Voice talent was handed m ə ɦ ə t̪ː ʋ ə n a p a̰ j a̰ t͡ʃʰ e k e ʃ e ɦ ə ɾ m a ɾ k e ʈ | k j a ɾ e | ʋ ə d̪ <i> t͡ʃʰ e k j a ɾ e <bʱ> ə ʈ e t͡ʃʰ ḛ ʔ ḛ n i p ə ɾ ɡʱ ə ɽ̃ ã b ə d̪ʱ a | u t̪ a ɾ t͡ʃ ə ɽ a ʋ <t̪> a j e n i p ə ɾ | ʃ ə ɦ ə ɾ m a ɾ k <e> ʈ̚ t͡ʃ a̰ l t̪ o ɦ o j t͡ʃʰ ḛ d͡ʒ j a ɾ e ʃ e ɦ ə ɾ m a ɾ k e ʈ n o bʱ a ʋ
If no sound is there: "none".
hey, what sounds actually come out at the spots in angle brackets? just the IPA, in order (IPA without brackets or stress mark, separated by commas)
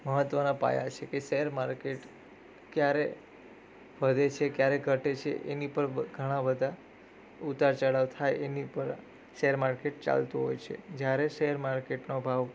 e, ɡʱ, t̪ʰ, e